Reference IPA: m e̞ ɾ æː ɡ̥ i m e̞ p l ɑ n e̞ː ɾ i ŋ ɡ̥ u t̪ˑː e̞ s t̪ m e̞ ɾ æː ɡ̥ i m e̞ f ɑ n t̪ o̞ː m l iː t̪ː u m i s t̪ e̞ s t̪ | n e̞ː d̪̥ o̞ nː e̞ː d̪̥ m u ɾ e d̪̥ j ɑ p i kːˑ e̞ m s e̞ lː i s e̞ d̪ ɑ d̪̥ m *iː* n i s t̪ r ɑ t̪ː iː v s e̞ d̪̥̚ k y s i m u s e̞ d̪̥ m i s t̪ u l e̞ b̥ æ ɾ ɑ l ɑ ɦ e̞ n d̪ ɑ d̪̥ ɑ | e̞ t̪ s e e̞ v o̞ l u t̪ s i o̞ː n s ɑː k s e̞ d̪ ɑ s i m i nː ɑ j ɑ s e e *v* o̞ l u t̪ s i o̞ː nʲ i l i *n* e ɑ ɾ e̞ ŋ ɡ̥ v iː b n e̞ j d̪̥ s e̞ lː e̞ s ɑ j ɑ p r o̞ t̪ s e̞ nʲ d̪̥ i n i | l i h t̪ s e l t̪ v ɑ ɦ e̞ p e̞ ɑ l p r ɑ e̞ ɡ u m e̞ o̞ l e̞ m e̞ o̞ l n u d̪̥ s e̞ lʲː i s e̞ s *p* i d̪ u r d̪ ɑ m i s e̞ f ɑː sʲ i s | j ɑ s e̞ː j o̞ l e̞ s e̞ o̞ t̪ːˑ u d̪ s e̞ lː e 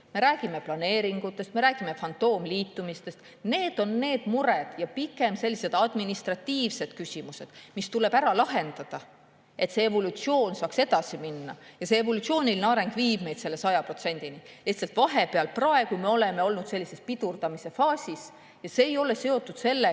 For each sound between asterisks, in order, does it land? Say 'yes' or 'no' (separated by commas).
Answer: no, yes, yes, yes